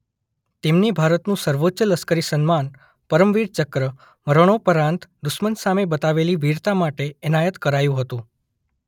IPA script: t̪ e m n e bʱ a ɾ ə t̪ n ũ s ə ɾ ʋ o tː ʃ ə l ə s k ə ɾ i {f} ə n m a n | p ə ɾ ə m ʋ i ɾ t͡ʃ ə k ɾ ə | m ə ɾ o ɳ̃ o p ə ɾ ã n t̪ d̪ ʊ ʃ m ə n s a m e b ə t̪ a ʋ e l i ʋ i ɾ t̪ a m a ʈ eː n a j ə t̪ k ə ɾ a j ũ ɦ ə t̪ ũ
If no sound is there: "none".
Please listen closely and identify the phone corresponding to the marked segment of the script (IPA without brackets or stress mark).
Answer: s